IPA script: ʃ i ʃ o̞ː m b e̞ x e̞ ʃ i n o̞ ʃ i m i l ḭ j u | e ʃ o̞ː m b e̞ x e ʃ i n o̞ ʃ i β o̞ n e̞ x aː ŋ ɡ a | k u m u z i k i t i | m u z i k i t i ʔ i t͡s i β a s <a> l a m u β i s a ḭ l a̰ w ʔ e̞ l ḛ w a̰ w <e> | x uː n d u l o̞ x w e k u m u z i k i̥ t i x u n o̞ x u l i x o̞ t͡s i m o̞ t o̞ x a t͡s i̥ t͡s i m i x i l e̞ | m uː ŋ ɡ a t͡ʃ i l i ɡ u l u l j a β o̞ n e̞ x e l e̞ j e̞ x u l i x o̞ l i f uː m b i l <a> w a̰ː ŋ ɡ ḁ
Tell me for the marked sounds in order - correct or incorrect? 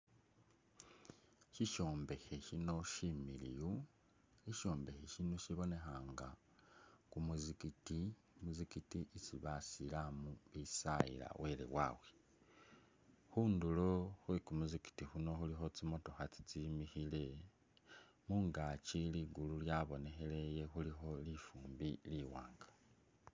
incorrect: i, correct, incorrect: i

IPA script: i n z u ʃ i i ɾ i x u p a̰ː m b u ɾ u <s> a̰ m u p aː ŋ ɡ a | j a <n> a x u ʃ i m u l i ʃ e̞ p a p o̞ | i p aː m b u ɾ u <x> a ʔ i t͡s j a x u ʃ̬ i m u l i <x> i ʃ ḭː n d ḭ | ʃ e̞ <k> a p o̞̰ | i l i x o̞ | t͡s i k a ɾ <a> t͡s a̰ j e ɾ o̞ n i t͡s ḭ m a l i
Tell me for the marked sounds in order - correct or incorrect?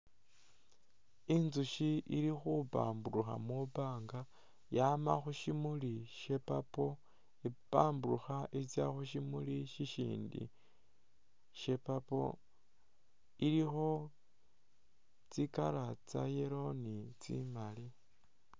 incorrect: x, incorrect: m, correct, incorrect: ʃ, incorrect: p, correct

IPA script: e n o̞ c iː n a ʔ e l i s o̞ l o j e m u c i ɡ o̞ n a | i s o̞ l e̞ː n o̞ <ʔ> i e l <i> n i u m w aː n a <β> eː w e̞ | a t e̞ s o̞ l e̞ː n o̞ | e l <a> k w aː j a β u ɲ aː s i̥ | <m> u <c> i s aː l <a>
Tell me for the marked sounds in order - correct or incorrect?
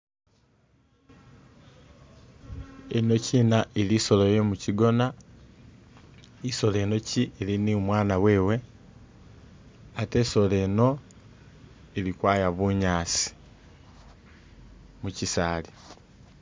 incorrect: c, correct, incorrect: w, incorrect: i, correct, correct, incorrect: i

